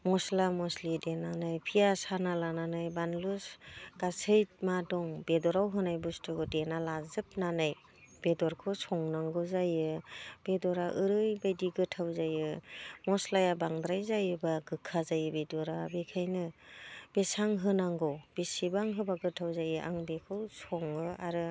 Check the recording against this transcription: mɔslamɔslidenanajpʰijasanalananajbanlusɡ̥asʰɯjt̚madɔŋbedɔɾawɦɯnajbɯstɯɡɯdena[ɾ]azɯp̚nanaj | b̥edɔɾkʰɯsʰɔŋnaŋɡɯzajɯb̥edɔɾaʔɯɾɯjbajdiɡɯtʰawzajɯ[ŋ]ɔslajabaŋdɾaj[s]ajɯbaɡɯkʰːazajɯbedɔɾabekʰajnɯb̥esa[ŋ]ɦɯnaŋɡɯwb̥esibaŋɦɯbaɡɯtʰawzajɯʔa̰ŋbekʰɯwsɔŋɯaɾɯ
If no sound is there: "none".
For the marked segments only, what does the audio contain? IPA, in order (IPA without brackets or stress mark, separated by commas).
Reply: l, m, z, ŋ